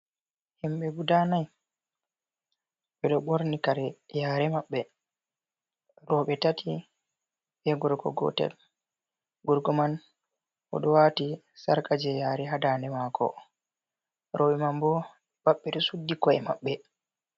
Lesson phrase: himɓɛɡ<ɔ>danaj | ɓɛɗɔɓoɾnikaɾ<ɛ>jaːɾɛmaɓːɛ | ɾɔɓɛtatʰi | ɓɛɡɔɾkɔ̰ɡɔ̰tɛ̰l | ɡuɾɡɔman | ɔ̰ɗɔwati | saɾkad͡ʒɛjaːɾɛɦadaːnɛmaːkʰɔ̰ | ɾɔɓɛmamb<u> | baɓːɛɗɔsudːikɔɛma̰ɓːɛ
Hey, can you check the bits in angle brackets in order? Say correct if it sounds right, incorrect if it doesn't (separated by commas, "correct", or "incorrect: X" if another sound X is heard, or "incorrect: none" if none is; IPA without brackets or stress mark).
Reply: incorrect: u, correct, incorrect: ɔ